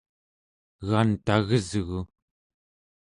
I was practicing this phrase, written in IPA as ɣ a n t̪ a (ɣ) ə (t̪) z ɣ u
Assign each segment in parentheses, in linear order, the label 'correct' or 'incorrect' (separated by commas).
correct, incorrect